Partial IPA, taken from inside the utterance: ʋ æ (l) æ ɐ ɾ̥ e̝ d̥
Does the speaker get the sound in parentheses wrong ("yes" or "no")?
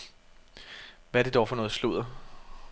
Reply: yes